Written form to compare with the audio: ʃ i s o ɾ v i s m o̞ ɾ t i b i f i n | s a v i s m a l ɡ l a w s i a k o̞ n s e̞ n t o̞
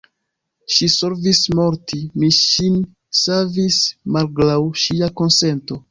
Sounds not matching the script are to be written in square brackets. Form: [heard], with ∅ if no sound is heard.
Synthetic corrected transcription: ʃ i s o ɾ v i s m o̞ ɾ t i [m] i [ʃ] i n | s a v i s m a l ɡ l a w [ʃ] i a k o̞ n s e̞ n t o̞